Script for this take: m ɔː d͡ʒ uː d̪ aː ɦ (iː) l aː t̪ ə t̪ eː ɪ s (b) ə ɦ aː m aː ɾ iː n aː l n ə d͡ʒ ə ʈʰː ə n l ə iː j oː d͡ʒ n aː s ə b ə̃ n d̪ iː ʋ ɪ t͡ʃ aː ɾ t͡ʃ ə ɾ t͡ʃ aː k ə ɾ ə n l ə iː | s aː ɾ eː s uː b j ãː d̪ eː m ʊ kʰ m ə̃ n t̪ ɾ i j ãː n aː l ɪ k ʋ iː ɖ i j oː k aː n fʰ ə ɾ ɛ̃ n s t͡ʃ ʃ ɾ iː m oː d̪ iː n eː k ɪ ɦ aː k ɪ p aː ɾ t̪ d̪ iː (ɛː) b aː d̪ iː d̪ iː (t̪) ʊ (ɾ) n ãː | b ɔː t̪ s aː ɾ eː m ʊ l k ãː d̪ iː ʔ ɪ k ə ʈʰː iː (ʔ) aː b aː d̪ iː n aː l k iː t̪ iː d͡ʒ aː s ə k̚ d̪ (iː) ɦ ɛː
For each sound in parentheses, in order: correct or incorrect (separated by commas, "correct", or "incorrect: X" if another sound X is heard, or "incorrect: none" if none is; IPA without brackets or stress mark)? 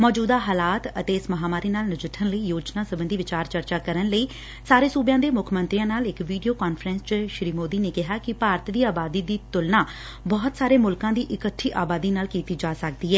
incorrect: aː, incorrect: m, incorrect: aː, correct, incorrect: l, correct, correct